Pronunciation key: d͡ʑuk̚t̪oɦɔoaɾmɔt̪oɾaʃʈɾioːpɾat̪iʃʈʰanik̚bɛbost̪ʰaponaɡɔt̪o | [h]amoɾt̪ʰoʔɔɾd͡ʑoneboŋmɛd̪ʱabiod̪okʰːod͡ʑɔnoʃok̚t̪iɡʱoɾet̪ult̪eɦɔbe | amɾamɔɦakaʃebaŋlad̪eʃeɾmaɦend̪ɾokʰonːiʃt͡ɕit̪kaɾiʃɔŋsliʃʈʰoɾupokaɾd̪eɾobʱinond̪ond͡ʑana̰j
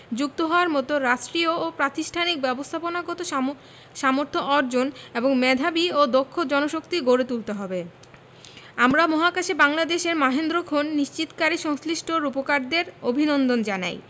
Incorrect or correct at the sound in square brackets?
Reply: incorrect: ʃ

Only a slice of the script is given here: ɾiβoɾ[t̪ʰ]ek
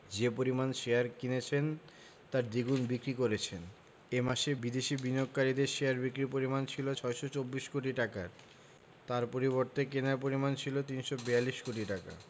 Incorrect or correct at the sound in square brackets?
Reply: incorrect: t̪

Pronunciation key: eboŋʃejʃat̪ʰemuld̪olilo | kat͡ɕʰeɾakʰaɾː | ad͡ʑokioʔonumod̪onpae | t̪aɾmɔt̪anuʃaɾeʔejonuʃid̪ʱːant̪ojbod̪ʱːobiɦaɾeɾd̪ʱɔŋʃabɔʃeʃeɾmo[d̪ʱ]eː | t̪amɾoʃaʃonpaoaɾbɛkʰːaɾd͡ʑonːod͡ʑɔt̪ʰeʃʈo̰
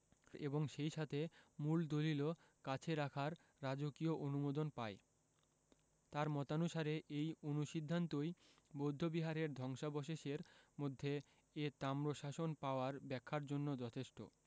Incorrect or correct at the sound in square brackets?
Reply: incorrect: d̪ʱː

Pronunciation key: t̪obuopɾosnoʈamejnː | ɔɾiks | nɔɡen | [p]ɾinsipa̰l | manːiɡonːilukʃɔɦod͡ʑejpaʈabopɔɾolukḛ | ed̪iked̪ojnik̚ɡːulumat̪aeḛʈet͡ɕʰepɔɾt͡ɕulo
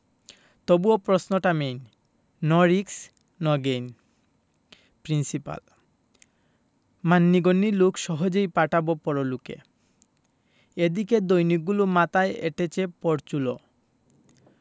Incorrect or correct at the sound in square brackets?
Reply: correct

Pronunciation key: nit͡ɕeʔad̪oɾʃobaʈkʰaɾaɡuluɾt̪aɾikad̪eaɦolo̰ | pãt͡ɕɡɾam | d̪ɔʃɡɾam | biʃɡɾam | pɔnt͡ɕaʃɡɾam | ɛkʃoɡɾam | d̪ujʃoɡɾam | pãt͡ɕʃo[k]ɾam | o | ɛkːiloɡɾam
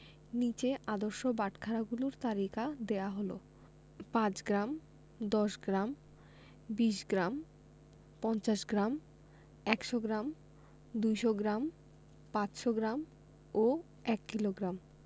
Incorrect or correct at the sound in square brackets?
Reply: incorrect: ɡ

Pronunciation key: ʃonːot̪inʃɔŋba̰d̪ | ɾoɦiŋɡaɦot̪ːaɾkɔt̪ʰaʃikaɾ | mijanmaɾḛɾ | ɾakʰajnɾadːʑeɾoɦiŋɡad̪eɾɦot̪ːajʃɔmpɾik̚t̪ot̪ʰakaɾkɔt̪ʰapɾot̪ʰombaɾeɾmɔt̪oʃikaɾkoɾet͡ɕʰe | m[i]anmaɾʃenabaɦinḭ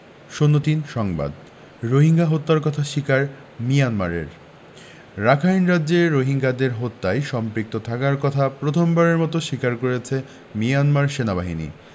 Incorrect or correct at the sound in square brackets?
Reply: correct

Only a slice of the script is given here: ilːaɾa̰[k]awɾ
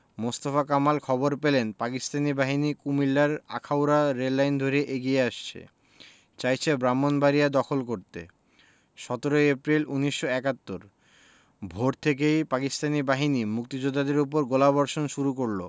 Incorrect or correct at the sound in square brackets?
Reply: incorrect: kʰ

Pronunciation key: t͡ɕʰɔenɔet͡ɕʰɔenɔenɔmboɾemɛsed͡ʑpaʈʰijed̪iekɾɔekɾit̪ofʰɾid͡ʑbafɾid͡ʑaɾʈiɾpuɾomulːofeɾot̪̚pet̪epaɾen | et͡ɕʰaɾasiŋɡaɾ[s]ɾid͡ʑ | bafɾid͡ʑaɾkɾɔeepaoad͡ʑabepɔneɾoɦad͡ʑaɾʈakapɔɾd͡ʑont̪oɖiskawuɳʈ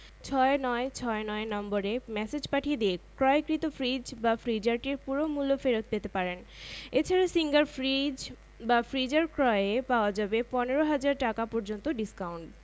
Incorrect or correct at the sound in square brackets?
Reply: incorrect: f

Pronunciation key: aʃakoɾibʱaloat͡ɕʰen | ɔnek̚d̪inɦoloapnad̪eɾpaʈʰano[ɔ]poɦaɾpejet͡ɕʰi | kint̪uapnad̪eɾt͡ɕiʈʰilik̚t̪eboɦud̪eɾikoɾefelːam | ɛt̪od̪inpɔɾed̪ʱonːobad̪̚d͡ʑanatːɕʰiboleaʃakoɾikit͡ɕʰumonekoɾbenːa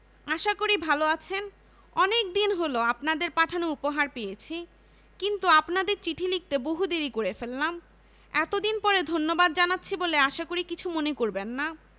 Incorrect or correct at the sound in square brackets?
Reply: incorrect: u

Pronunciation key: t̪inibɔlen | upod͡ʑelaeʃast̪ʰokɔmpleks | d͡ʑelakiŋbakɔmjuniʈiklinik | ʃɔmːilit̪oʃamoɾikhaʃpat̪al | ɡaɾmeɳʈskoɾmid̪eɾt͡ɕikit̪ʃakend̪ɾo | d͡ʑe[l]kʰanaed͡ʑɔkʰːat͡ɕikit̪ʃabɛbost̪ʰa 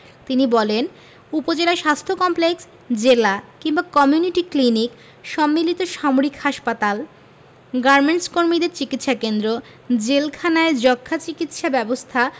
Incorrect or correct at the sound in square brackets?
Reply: correct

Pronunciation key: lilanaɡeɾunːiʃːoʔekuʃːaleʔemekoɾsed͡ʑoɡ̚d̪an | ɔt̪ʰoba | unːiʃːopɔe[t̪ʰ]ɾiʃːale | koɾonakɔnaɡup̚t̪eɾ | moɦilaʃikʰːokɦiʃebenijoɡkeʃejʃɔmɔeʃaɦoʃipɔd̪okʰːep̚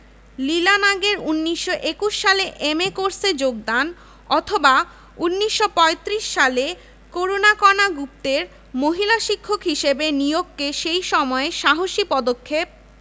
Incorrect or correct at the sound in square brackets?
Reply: incorrect: t̪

